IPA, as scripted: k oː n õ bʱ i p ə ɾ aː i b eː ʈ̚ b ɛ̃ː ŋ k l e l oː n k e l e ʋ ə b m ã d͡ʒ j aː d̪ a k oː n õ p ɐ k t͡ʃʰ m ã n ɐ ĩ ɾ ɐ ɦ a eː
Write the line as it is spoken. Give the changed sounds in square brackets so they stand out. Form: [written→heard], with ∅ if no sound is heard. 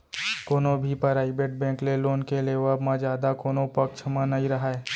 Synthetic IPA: k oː n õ bʱ i p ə ɾ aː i b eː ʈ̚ b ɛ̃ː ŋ k l e l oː n k e l e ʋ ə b m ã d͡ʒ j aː d̪ a k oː n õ p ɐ k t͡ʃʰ m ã n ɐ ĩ ɾ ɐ ɦ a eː